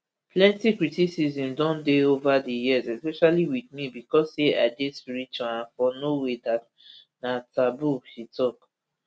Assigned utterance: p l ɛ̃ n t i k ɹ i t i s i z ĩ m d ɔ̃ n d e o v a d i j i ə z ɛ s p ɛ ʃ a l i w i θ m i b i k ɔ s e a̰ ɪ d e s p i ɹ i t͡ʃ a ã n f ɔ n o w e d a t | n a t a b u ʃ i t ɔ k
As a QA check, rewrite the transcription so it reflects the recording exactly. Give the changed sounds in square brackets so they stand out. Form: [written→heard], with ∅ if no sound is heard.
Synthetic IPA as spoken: p l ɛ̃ n t i k ɹ i t i s i z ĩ m d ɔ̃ n d e o v a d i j i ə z ɛ s p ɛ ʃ a l i w i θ m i b i k ɔ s e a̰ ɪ d e s p i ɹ i t͡ʃ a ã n f ɔ n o w e d a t | n a t a b u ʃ i t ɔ k

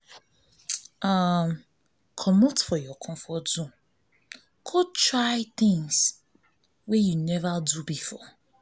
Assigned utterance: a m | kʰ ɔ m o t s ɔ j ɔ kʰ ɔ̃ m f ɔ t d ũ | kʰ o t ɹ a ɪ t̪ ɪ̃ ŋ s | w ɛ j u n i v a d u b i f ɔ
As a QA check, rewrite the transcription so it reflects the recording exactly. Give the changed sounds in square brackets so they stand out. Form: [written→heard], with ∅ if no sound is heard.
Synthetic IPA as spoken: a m | kʰ ɔ m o t [s→f] ɔ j ɔ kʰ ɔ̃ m f ɔ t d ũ | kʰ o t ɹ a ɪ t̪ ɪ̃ ŋ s | w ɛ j u n [i→ɛ] v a d u b i f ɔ

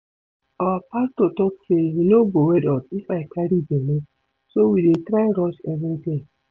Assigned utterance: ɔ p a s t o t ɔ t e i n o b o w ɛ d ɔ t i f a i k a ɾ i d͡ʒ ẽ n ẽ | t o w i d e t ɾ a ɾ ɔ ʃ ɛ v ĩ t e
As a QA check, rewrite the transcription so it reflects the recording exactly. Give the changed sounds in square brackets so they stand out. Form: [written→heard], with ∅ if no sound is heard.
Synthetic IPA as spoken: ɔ p a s t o t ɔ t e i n o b o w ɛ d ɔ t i f a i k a ɾ i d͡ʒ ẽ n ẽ | [t→s] o w i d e t ɾ a ɾ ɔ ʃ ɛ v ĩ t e

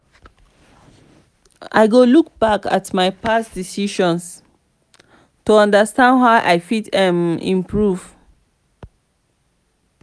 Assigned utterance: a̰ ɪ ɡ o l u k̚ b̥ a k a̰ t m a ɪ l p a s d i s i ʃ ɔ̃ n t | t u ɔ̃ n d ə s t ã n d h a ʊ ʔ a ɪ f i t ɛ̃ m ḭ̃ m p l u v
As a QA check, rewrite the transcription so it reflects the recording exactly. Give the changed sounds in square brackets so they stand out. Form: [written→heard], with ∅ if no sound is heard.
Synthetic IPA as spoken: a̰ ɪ ɡ o l u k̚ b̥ a k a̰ t m a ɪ [l→∅] p a s d i s i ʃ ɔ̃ n [t→s] | t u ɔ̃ n d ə s t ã n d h a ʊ ʔ a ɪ f i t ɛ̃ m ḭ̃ m p [l→ɹ] u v

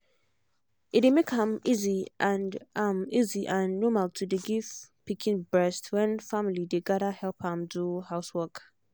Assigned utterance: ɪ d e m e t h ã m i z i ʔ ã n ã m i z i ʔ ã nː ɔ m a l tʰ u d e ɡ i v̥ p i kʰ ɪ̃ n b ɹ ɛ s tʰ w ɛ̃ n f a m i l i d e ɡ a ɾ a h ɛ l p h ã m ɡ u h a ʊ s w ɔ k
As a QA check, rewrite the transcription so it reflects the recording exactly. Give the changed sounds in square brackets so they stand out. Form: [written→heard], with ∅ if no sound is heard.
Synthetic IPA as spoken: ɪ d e m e [t→k] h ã m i z i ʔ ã n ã m i z i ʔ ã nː ɔ m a l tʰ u d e ɡ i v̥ p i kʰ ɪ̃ n b ɹ ɛ s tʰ w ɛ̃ n f a m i l i d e ɡ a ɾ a h ɛ l p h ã m [ɡ→d] u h a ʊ s w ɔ k

